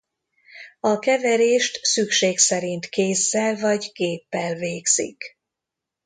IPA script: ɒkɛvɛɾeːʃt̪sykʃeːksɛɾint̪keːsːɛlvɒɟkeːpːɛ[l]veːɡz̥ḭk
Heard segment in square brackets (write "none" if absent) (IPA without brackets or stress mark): l